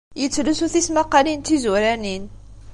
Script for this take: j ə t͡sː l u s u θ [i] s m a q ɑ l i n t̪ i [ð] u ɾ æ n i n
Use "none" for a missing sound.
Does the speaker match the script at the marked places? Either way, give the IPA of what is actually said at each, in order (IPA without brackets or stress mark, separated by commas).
i, z